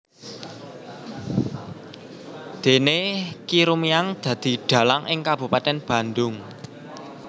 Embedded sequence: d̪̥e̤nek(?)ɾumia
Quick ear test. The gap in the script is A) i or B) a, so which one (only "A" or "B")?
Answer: A